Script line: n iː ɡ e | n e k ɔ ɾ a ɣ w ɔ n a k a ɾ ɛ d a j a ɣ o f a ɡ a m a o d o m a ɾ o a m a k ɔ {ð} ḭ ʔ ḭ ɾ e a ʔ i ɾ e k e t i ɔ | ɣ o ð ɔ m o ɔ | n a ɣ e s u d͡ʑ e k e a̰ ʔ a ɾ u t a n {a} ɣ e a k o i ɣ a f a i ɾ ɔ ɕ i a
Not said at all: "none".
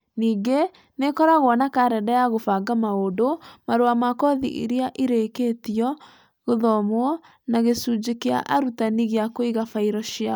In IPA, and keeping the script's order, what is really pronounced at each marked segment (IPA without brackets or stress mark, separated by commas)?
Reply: ð, i